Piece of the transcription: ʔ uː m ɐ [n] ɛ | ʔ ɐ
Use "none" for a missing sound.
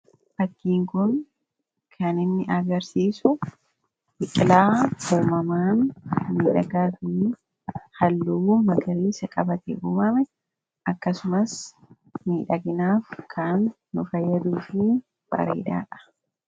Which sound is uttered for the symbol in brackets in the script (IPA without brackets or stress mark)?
m